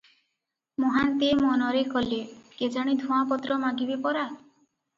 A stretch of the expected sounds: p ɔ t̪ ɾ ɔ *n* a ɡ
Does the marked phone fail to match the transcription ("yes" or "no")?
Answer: yes